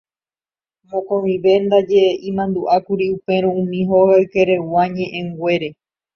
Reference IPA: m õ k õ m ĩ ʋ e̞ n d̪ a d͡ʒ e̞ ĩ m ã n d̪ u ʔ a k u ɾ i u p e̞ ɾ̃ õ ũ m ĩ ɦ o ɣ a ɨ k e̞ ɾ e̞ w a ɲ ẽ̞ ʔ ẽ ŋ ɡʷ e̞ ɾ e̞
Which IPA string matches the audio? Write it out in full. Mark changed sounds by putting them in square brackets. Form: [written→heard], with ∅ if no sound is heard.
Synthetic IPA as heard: m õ k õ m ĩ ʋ e̞ n d̪ a d͡ʒ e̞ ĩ m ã n d̪ u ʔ a k u ɾ i u p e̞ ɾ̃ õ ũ m ĩ ɦ o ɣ a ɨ k e̞ ɾ e̞ w a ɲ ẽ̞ ʔ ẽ ŋ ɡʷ e̞ ɾ e̞